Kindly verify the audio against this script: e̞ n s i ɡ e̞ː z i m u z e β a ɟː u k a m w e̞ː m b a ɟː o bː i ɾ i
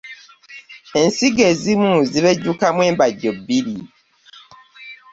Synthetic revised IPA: e̞ n s i ɡ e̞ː z i m u z i β e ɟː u k a m w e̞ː m b a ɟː o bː i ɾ i